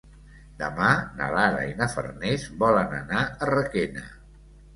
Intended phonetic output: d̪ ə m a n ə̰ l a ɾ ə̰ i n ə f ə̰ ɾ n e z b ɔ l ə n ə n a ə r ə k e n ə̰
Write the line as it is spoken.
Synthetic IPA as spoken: d̪ ə m a n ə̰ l a ɾ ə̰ i n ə f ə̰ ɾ n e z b ɔ l ə n ə n a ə r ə k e n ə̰